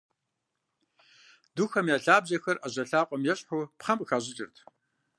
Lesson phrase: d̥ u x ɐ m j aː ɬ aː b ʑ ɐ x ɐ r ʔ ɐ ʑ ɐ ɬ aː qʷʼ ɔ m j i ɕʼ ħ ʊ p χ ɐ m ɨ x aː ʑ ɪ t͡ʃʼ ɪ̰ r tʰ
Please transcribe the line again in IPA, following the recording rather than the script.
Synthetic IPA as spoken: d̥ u x ɐ m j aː ɬ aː b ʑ ɐ x ɐ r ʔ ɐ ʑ ɐ ɬ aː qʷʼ ɔ m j ɛ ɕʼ ħ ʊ p χ ɐ m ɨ x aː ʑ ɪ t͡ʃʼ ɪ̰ r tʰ

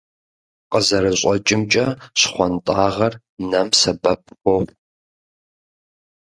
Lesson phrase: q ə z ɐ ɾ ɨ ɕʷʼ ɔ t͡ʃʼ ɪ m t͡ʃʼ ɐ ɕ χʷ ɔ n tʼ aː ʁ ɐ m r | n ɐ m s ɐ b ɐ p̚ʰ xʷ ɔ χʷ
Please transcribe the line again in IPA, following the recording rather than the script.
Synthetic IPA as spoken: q ə z ɐ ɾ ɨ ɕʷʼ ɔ t͡ʃʼ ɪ m t͡ʃʼ ɐ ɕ χʷ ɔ n tʼ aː ʁ ɐ r | n ɐ m s ɐ b ɐ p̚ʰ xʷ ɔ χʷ

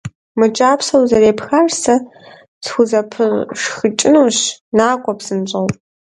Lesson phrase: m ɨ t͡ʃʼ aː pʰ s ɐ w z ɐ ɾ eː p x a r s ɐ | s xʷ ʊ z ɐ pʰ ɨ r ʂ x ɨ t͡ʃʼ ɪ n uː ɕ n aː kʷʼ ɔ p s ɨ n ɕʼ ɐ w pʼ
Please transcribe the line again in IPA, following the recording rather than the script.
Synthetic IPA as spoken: m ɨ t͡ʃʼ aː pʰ s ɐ w z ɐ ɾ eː p x a r s ɐ | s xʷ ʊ z ɐ pʰ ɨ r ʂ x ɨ t͡ʃʼ ɪ n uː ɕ n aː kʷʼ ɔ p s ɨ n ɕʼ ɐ w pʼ

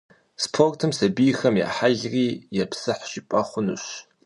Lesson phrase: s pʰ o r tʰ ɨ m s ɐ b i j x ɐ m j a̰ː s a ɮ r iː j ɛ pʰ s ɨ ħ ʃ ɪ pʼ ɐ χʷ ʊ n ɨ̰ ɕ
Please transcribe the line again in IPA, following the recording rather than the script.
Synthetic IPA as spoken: s pʰ o r tʰ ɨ m s ɐ b i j x ɐ m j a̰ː ħ a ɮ r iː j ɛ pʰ s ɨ ħ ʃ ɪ pʼ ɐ χʷ ʊ n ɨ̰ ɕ

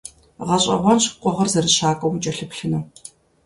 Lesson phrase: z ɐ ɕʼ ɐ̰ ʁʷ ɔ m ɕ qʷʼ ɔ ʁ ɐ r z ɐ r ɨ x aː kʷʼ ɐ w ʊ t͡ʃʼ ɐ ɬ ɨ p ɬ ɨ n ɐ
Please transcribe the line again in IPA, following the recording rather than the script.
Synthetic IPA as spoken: ʁ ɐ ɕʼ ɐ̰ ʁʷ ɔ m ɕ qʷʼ ɔ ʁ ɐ r z ɐ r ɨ ɕ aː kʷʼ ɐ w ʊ t͡ʃʼ ɐ ɬ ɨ p ɬ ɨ n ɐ

